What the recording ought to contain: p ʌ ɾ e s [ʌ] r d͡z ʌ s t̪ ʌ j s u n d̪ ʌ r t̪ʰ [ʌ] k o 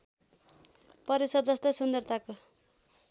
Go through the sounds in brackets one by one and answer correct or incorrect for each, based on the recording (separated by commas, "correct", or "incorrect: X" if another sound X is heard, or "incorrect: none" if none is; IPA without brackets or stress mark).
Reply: correct, incorrect: a